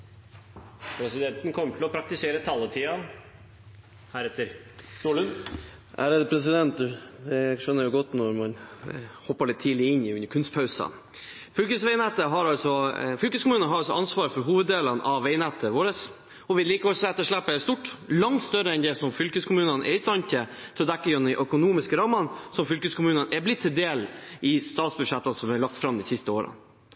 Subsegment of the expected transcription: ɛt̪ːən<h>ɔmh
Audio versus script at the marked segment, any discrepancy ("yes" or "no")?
yes